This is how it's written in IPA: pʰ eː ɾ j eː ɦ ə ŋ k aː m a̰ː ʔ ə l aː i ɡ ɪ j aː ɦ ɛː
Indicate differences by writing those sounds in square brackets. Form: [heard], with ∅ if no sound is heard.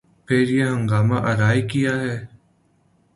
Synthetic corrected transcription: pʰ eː ɾ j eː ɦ ə ŋ [ɡ] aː m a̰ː ʔ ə [ɾ] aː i [k] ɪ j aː ɦ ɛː